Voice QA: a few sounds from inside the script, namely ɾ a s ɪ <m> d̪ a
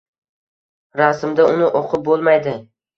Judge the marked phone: correct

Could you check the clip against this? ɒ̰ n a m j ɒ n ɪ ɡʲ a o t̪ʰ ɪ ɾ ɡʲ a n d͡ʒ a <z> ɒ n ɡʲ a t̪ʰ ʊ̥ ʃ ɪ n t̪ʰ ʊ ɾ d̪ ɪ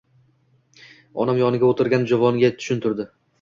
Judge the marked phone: incorrect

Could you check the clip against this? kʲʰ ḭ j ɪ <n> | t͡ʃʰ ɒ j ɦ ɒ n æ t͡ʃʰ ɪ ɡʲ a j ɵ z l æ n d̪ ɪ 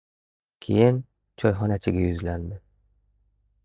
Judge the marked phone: correct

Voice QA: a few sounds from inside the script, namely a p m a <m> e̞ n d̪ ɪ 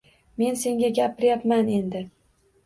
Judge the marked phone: incorrect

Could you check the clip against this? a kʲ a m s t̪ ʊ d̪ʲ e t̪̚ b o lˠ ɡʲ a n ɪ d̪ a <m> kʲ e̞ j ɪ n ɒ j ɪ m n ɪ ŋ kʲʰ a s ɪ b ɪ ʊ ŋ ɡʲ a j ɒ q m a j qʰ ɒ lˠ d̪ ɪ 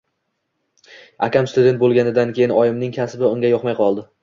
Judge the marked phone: incorrect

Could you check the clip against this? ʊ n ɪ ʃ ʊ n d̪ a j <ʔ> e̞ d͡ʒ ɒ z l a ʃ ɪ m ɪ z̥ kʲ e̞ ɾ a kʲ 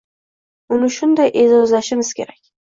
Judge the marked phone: correct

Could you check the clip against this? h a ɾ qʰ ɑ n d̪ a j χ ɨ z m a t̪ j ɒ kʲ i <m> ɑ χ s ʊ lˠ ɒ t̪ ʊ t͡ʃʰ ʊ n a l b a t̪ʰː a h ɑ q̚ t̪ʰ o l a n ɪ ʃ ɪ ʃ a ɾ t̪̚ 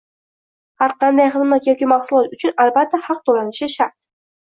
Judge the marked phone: correct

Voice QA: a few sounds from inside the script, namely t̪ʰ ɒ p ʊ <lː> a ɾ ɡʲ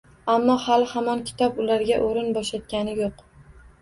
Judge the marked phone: incorrect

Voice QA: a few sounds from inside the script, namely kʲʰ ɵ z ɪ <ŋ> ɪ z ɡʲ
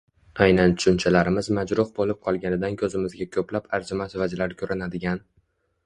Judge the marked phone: incorrect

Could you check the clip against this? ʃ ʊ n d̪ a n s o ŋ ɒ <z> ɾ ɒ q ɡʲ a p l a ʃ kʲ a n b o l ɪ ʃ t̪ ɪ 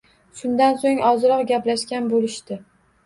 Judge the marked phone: correct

